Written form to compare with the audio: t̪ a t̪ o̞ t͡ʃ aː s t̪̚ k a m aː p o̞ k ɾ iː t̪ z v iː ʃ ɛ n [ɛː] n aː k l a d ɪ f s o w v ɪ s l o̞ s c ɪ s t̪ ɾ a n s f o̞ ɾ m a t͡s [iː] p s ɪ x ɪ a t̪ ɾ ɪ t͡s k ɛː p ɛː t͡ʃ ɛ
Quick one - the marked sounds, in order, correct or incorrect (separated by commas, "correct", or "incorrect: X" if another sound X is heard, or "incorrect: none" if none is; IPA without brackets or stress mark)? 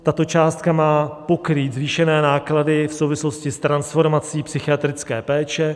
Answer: correct, correct